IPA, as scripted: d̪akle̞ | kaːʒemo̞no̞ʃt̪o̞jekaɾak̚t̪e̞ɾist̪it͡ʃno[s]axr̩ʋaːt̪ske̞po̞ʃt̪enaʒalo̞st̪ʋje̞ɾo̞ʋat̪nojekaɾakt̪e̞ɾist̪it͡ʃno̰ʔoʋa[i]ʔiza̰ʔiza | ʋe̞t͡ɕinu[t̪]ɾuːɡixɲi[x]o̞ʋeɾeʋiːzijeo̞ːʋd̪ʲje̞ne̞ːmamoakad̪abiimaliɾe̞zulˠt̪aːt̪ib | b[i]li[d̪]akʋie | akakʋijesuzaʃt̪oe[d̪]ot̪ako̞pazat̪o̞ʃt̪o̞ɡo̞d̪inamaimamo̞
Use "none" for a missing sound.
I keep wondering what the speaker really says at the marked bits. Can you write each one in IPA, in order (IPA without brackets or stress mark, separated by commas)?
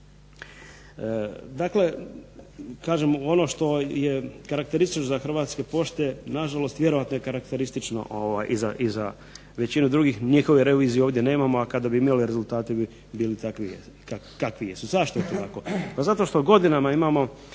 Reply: z, j, d̪, x, iː, t̪, t̪